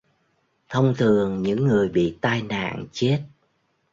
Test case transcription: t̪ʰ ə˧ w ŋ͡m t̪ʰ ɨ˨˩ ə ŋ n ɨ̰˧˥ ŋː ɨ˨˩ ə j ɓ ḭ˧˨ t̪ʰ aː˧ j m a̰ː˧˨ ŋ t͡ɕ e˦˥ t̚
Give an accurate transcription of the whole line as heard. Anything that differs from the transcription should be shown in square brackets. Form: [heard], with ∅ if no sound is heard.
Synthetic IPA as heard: t̪ʰ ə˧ w ŋ͡m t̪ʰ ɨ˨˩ ə ŋ [ɲ] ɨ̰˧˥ ŋː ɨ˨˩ ə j ɓ ḭ˧˨ [t̪] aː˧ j [n] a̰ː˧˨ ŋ t͡ɕ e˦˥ t̚